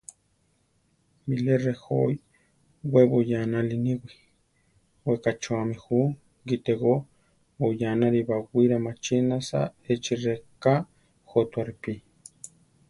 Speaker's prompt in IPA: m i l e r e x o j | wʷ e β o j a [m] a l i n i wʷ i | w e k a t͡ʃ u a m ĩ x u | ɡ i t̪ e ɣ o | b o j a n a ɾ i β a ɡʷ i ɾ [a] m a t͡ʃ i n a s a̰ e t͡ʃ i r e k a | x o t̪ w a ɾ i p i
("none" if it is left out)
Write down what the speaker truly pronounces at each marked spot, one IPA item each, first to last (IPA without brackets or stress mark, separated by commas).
n, a